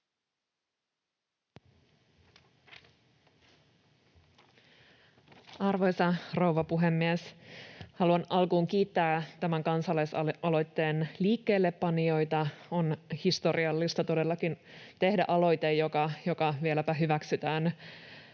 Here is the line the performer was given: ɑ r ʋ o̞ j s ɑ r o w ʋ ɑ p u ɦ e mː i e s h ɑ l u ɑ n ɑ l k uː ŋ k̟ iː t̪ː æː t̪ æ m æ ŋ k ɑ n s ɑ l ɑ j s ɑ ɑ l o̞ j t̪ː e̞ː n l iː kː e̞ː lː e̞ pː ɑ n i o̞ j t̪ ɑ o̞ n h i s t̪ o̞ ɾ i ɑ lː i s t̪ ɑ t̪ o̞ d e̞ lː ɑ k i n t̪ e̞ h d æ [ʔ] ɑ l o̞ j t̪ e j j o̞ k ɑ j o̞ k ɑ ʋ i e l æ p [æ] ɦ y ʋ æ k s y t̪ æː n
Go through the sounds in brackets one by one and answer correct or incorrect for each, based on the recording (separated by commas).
correct, correct